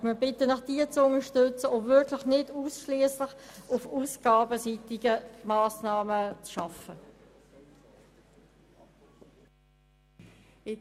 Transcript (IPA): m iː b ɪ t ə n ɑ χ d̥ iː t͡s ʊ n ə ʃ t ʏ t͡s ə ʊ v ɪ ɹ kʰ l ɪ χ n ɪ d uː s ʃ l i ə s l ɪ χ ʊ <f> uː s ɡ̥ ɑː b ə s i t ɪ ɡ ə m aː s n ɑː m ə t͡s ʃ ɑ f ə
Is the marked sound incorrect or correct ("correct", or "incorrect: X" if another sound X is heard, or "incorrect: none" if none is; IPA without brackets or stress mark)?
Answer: correct